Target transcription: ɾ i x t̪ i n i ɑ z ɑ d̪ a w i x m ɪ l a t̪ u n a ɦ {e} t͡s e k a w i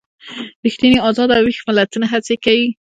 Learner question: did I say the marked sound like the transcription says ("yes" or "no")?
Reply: no